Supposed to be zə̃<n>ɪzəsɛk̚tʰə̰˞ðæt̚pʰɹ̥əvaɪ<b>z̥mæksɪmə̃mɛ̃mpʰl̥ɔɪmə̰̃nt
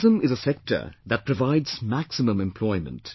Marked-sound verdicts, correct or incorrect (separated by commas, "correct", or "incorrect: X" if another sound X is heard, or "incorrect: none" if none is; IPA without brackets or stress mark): incorrect: m, incorrect: d